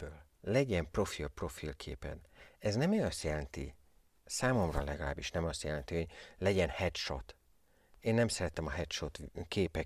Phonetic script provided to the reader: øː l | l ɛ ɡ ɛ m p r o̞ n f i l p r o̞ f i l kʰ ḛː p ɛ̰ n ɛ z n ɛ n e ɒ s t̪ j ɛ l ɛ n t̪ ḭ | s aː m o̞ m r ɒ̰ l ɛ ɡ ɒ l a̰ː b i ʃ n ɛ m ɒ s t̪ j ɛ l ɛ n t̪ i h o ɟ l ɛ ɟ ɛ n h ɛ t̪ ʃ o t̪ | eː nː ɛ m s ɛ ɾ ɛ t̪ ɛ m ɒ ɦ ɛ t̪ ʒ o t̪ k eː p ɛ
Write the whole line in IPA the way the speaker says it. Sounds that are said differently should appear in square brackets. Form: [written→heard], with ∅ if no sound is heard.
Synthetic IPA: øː l | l ɛ [ɡ→ɟ] ɛ m p r o̞ [n→∅] f i l p r o̞ f i l kʰ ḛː p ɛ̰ n ɛ z n ɛ [n→m] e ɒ s t̪ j ɛ l ɛ n t̪ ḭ | s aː m o̞ m r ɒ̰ l ɛ ɡ ɒ l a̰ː b i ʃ n ɛ m ɒ s t̪ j ɛ l ɛ n t̪ i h o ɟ l ɛ ɟ ɛ n h ɛ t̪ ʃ o t̪ | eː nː ɛ m s ɛ ɾ ɛ t̪ ɛ m ɒ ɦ ɛ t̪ [ʒ→ʃ] o t̪ k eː p ɛ